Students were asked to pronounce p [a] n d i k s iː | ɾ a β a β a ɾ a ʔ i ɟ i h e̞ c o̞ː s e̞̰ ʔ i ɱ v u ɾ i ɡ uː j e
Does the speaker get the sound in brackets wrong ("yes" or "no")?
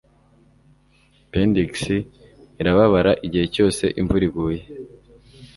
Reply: yes